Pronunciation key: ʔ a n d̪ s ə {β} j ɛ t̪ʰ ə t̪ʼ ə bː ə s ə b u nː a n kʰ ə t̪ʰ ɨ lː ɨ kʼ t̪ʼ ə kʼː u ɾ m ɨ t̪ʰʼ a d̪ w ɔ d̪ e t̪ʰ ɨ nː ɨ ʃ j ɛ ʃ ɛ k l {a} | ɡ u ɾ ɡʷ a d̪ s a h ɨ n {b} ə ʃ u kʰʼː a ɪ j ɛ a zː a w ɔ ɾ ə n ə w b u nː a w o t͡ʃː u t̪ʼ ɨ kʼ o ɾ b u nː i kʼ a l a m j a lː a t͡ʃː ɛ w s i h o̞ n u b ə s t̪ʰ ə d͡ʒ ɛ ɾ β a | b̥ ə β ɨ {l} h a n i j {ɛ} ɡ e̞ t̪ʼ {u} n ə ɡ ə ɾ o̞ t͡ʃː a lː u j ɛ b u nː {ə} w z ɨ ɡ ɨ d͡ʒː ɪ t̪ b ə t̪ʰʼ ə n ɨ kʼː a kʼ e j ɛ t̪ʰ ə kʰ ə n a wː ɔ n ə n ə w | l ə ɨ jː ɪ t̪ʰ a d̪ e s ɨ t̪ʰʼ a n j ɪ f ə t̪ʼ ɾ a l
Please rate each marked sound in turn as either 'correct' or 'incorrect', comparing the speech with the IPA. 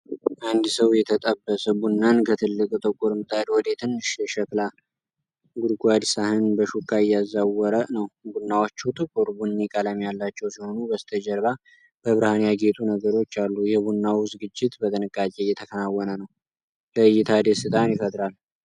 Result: incorrect: w, correct, correct, incorrect: ɾ, incorrect: a, correct, incorrect: a

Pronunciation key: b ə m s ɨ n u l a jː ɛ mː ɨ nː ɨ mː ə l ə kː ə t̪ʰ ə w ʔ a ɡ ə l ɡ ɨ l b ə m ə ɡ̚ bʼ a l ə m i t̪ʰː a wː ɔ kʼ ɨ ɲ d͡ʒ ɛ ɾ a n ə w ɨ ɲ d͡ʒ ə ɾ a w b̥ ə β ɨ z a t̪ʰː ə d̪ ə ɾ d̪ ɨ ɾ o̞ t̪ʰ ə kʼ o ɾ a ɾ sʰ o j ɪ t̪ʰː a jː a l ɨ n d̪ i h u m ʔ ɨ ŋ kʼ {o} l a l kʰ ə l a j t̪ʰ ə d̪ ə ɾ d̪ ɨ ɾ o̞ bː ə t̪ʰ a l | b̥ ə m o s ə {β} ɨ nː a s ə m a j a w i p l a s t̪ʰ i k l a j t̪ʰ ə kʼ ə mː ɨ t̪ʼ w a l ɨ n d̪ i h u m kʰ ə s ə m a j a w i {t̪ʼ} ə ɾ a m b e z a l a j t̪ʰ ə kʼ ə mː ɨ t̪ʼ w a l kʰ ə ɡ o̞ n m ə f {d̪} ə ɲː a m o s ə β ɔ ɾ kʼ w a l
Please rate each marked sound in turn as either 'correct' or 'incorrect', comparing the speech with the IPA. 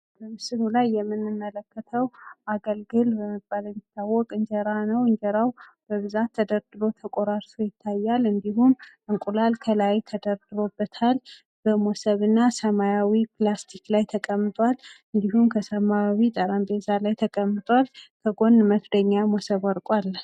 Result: incorrect: u, correct, correct, correct

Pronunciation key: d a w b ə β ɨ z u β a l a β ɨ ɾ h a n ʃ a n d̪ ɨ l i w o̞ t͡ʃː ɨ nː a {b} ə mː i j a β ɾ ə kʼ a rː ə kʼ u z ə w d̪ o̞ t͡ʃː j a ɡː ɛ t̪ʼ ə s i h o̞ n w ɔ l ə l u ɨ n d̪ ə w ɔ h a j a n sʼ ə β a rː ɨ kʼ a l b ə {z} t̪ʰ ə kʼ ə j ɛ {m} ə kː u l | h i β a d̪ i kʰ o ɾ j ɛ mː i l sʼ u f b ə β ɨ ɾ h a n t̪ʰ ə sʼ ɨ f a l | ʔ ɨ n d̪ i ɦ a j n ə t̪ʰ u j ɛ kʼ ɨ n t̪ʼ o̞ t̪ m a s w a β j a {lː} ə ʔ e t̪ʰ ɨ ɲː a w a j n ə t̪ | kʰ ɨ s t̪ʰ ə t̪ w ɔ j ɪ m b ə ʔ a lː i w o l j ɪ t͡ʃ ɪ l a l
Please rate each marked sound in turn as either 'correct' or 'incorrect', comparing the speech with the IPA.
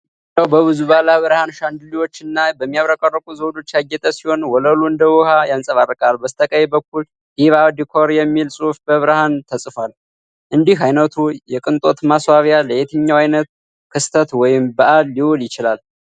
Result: correct, incorrect: s, incorrect: b, incorrect: l

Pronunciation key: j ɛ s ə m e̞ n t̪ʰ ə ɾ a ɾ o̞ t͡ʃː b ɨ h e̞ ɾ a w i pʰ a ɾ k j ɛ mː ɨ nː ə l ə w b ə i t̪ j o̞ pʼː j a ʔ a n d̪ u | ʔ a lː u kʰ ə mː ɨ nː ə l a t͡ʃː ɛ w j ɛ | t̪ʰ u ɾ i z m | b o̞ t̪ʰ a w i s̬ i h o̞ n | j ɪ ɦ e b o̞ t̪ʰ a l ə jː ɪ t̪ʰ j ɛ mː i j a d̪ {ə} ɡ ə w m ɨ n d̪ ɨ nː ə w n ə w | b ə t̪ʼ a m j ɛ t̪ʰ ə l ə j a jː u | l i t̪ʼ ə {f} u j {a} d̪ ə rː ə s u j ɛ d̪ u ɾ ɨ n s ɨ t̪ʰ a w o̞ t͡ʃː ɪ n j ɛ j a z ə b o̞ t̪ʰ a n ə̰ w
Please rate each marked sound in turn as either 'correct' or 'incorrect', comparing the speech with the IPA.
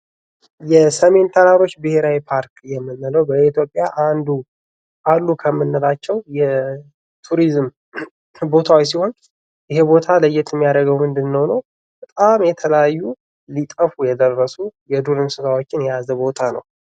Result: correct, correct, incorrect: ɛ

